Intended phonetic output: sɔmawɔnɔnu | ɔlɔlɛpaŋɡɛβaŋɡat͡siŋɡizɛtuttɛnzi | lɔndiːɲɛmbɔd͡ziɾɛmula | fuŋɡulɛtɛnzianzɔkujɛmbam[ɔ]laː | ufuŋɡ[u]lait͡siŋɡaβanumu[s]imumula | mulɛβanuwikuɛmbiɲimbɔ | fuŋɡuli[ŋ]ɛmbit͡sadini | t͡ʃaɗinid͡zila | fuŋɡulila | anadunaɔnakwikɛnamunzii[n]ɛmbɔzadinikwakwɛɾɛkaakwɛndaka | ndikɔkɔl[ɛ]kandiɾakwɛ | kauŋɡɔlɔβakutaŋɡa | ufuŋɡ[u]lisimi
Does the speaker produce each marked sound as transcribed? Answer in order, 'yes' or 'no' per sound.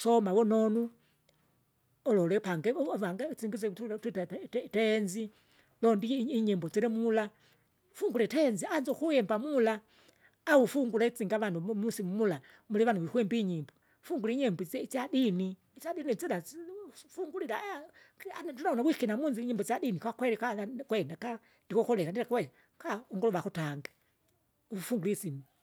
no, yes, yes, no, no, yes, yes

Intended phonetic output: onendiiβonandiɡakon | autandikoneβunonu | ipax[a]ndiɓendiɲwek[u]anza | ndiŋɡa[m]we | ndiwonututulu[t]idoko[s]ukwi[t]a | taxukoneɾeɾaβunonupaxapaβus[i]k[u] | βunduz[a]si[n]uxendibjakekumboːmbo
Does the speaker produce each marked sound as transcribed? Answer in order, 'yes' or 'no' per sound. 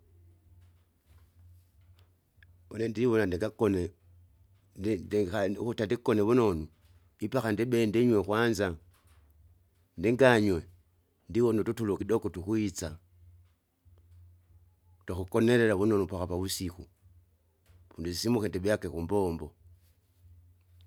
yes, no, no, no, no, no, yes, yes, no, no

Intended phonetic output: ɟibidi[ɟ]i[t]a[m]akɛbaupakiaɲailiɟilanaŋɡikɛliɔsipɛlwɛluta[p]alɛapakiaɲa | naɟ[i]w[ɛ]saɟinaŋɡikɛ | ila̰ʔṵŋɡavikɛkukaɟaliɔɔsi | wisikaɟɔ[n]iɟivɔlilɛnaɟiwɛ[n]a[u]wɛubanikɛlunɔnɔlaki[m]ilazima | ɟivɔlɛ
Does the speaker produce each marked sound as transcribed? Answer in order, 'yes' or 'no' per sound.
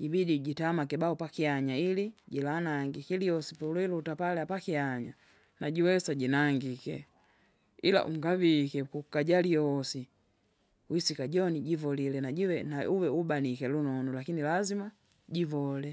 yes, yes, yes, yes, yes, yes, yes, yes, yes, no

